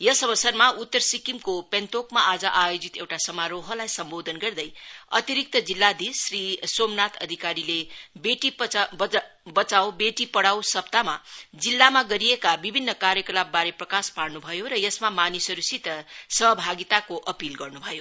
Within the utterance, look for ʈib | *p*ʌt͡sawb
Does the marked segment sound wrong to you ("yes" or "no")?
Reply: yes